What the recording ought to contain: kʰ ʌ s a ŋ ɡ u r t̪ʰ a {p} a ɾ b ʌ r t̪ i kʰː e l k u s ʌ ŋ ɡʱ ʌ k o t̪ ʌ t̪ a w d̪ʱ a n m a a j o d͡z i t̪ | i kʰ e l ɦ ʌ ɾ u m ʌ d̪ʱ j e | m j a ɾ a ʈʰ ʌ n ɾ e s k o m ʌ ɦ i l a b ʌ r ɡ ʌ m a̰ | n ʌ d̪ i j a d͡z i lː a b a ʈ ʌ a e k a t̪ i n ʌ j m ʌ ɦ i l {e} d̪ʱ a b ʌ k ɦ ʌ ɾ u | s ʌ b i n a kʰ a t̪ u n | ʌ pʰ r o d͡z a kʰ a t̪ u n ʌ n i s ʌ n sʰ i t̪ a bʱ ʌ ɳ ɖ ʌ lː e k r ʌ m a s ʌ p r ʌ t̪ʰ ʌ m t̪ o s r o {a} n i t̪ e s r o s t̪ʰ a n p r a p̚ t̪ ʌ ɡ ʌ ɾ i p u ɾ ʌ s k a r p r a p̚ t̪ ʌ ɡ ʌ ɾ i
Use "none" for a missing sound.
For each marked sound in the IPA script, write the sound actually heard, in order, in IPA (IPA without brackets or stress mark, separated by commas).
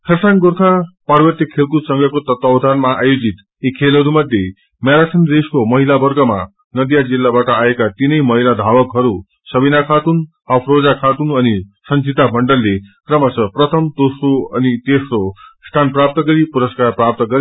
p, a, ʌ